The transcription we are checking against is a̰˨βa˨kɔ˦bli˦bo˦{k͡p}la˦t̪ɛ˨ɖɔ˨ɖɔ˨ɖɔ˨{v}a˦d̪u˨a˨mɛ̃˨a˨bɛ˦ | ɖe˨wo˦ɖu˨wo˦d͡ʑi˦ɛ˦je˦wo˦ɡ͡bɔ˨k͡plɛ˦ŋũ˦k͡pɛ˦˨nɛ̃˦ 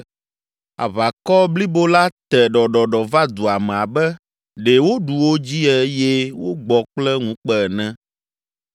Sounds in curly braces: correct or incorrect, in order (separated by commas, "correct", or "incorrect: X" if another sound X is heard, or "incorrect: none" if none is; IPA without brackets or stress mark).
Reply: incorrect: none, correct